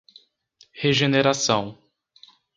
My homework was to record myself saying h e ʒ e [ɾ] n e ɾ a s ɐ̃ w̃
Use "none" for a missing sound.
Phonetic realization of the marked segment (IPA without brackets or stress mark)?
none